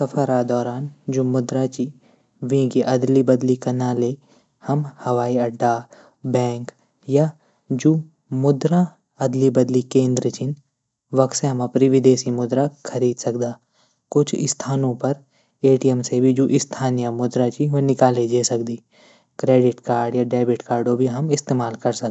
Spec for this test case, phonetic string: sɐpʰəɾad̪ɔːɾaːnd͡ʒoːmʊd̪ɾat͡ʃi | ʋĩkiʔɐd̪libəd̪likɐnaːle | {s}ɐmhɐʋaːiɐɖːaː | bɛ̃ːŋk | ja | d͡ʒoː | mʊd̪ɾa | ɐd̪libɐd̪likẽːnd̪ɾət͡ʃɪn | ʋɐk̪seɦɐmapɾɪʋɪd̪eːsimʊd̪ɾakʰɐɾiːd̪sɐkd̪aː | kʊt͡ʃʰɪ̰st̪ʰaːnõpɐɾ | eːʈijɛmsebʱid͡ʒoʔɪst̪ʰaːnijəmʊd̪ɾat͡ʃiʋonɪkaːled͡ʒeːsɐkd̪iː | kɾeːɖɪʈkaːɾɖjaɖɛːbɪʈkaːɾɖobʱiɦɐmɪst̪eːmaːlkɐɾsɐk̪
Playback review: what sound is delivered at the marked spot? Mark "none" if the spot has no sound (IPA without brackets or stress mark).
h